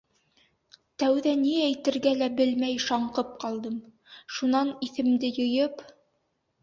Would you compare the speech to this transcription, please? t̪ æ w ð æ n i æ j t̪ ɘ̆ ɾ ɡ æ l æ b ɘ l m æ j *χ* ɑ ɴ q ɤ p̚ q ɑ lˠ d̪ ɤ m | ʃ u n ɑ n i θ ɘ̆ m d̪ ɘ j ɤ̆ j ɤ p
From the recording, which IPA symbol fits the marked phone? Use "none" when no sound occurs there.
ʃ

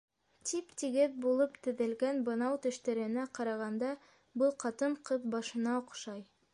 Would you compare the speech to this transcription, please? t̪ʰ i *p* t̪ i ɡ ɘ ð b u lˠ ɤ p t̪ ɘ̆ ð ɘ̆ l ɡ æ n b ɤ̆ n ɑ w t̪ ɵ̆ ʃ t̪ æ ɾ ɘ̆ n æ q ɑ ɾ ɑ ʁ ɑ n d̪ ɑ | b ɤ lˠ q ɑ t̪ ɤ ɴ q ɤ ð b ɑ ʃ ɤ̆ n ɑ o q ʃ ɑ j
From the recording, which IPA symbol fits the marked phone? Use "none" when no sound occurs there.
p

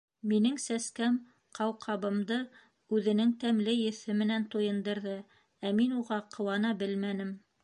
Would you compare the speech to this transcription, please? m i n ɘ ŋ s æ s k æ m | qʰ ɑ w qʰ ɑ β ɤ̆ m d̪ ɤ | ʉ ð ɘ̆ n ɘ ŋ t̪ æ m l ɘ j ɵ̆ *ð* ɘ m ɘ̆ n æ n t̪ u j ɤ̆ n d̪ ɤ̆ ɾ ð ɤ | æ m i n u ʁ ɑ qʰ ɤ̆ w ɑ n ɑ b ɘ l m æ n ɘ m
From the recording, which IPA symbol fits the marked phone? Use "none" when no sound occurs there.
θ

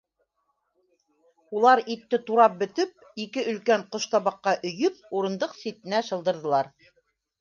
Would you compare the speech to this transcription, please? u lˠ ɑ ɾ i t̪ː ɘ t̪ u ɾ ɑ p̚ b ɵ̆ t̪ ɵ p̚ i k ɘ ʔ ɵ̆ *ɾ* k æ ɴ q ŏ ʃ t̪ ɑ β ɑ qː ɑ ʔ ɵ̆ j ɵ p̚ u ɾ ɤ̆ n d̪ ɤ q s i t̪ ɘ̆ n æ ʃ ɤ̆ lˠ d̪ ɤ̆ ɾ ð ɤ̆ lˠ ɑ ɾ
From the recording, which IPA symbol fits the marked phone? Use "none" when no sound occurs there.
l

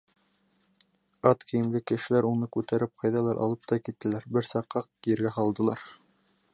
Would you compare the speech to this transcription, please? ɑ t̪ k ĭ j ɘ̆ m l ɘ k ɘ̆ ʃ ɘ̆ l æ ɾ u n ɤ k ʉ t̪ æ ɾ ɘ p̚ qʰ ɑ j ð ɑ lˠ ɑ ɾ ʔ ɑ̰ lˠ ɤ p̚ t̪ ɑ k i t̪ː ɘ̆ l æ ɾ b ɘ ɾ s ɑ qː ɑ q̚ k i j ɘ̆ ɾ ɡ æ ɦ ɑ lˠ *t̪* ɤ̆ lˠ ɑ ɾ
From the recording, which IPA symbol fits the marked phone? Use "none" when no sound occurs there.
d̪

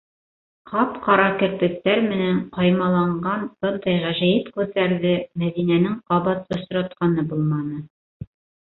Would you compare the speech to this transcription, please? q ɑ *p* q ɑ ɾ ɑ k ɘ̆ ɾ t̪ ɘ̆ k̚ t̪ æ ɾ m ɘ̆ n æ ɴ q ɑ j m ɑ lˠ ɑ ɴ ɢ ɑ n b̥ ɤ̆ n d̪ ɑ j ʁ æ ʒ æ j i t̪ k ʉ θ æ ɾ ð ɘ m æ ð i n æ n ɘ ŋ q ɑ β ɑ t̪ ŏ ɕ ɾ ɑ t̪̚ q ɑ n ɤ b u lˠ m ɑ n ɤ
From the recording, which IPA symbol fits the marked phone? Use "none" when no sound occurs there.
p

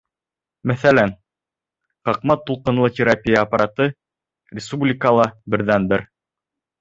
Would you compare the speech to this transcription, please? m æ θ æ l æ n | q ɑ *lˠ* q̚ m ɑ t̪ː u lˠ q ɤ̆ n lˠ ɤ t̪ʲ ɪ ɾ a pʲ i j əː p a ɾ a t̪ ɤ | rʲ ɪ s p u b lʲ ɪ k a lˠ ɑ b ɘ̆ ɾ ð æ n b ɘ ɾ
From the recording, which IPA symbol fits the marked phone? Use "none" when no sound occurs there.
none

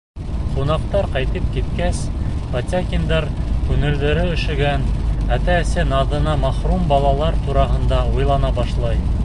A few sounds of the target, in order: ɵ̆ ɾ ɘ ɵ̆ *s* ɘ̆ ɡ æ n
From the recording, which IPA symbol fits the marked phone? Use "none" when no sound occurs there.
ʃ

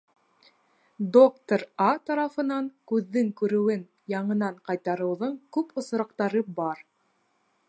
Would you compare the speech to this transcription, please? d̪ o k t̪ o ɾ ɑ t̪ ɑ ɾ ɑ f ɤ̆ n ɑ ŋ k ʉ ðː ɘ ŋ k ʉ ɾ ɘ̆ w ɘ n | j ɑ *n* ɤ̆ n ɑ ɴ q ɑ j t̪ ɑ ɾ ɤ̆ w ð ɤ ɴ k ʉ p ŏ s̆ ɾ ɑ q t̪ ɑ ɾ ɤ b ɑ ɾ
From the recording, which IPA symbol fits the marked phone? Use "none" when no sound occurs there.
ɴ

